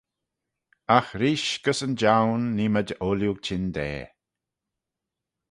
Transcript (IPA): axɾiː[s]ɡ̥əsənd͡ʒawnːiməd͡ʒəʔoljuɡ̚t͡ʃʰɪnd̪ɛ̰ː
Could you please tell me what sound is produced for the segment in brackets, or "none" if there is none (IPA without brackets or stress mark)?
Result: ʃ